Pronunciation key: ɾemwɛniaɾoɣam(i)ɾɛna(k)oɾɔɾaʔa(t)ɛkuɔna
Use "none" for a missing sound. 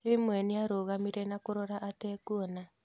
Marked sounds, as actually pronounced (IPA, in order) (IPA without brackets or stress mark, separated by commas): i, k, t